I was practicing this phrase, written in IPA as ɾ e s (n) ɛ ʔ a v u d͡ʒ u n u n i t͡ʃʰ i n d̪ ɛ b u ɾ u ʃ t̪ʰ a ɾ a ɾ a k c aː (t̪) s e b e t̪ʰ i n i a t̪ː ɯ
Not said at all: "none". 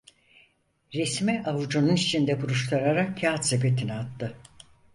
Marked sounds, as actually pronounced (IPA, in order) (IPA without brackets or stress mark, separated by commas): m, t̪